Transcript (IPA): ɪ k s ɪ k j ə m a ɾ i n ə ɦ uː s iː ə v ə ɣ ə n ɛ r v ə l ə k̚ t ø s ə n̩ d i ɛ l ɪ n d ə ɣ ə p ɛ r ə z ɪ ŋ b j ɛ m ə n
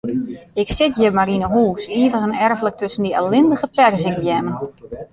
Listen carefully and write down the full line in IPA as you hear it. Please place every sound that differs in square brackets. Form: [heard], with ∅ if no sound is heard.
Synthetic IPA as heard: ɪ k s ɪ [t] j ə m a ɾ i n ə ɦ uː s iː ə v ə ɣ ə n ɛ r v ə l ə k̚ t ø s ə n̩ d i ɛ l ɪ n d ə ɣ ə p ɛ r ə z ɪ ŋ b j ɛ m ə n